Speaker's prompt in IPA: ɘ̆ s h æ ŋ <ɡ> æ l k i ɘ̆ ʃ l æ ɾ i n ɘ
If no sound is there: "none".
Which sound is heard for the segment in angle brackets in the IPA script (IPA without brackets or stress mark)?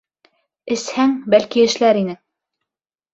b